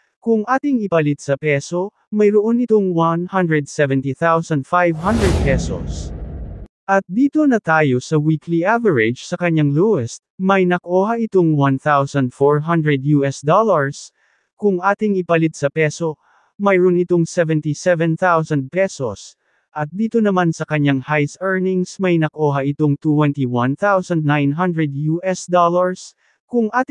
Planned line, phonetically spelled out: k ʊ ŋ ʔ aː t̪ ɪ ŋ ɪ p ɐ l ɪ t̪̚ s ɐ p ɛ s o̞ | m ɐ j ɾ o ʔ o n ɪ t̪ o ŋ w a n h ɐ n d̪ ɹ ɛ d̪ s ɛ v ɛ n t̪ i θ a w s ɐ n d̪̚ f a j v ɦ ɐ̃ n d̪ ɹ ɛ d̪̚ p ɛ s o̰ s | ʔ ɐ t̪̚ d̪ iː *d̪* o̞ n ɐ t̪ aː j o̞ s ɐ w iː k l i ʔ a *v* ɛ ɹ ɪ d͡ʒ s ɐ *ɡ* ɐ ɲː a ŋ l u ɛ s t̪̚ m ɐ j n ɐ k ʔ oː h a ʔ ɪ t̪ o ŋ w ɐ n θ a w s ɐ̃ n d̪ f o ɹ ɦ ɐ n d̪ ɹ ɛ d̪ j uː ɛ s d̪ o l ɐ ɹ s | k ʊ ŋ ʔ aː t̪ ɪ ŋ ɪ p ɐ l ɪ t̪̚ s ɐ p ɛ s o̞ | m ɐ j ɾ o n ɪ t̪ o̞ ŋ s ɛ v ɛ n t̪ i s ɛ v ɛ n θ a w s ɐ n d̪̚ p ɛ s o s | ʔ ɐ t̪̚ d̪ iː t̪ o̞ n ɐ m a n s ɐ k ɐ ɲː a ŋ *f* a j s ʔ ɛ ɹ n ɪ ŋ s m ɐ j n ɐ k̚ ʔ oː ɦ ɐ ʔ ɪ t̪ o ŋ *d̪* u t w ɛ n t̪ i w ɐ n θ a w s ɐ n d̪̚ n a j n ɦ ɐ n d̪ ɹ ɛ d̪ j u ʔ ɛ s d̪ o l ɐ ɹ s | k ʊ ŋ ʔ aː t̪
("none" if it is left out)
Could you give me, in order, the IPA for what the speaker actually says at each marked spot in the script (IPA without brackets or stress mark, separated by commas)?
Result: t̪, v, k, h, t̪